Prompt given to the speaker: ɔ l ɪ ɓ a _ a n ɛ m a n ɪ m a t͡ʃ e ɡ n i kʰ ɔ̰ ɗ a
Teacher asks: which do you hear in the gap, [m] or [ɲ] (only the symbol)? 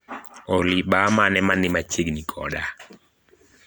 m